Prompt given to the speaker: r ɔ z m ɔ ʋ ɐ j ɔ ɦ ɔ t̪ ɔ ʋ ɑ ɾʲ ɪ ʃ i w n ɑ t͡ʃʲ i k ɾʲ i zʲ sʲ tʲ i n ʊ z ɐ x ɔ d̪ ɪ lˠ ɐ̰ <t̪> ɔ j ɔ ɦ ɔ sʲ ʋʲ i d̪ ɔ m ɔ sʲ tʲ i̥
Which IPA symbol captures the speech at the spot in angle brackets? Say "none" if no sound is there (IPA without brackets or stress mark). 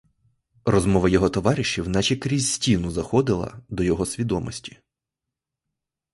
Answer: d̪